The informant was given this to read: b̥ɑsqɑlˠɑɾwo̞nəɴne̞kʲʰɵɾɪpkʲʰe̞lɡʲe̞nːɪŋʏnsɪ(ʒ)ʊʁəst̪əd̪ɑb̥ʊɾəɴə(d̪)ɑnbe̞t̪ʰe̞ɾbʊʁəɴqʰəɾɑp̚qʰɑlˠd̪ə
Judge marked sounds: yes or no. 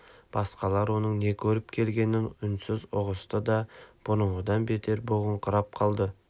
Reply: no, yes

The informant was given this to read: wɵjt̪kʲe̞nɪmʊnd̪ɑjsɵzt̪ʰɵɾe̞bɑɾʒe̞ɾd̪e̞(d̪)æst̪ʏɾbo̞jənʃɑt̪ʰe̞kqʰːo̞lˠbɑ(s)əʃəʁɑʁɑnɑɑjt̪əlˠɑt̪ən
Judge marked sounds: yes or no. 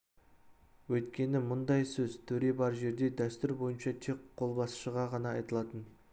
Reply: yes, yes

